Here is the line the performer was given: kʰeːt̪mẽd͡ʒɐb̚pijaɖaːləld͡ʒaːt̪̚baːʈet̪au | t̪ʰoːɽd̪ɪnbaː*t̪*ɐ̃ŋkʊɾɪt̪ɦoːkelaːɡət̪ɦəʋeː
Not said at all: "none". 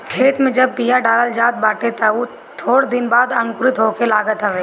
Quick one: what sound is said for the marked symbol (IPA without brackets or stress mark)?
d̪